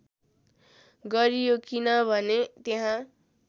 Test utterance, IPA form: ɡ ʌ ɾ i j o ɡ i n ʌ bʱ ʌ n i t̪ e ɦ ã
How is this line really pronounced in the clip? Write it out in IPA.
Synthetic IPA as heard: ɡ ʌ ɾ i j o k i n ʌ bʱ ʌ n e t̪ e ɦ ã